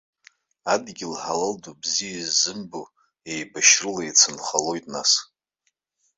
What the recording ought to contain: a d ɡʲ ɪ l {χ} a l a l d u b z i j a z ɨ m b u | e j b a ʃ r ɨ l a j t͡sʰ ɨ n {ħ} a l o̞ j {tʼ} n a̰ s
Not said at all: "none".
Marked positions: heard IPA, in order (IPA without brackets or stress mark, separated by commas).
ħ, χ, tʼ